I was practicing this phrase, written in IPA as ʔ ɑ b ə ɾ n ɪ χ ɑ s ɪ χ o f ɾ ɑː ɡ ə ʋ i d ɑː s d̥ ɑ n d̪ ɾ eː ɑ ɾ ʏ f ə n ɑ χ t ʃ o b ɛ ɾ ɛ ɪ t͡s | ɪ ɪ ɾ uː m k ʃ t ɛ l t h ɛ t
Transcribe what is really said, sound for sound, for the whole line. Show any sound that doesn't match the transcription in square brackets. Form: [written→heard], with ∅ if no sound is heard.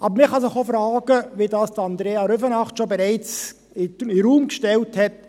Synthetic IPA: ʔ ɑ b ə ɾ [n→m] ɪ χ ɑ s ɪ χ o f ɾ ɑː ɡ ə ʋ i d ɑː s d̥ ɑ n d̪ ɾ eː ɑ ɾ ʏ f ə n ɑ χ t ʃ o b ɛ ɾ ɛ ɪ t͡s | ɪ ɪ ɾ uː m k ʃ t ɛ l t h ɛ t